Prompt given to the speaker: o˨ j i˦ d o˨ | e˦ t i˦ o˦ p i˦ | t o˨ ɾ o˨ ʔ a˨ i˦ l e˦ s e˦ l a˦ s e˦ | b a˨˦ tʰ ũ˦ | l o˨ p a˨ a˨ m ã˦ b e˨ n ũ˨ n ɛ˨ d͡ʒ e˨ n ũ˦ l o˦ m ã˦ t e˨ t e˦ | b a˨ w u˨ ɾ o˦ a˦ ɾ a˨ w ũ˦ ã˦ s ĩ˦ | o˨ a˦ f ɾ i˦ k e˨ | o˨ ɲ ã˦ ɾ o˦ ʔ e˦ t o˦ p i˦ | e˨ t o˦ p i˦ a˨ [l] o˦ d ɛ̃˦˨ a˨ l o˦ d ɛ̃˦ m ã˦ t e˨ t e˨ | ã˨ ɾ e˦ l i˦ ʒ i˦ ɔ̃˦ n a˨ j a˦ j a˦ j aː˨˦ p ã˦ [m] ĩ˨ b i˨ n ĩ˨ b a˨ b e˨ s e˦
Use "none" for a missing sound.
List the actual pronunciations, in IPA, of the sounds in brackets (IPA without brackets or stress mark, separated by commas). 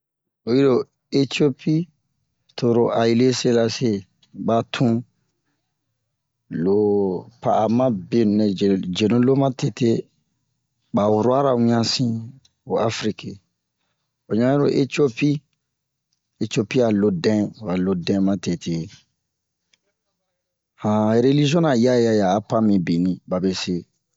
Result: l, m